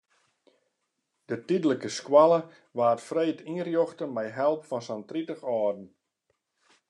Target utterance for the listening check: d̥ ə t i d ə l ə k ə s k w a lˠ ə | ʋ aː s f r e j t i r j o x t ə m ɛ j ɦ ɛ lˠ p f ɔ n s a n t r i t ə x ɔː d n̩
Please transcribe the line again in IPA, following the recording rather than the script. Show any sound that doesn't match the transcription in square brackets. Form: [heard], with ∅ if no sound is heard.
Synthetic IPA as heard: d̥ ə t i d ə l ə k ə s k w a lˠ ə | ʋ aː [t] f r e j t i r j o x t ə m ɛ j ɦ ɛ lˠ p f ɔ n s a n t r i t ə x ɔː d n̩